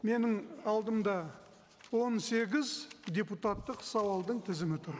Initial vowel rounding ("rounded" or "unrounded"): unrounded